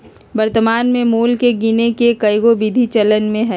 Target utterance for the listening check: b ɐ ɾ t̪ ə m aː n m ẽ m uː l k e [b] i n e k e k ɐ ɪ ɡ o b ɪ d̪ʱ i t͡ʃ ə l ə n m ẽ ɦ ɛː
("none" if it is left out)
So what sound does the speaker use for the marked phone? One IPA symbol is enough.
ɡ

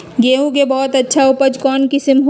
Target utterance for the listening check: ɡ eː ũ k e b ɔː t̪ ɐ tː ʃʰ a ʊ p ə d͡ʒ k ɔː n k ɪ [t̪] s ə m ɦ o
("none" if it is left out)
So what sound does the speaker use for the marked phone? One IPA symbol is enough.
none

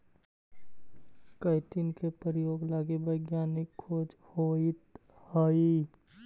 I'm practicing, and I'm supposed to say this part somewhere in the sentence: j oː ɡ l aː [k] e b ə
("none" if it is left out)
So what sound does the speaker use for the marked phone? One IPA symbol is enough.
ɡ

